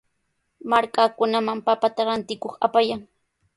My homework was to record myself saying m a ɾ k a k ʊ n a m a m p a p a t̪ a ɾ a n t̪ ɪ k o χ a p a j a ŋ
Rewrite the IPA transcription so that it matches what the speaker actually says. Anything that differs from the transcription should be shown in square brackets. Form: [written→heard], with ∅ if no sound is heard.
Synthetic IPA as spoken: m a ɾ k a k ʊ n a m a m p a p a t̪ a ɾ a n t̪ ɪ k o χ a p a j a ŋ